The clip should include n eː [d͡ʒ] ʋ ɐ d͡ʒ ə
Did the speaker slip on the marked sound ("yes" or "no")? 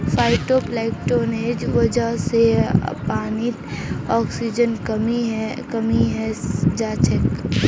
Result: no